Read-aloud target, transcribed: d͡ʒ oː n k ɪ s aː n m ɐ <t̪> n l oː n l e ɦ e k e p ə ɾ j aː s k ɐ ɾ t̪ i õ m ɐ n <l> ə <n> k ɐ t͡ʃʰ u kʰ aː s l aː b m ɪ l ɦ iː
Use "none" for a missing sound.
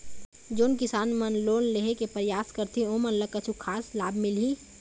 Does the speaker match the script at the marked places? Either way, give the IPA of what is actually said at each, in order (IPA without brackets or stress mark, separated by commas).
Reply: none, l, none